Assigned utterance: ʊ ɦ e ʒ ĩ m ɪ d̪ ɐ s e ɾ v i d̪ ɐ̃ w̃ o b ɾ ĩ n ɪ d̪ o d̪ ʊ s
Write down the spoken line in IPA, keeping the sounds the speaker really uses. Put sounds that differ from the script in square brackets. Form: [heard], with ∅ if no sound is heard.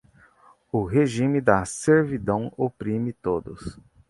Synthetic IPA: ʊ ɦ e ʒ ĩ m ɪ d̪ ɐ s e ɾ v i d̪ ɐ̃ w̃ o [p] ɾ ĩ [m] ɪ [t̪] o d̪ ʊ s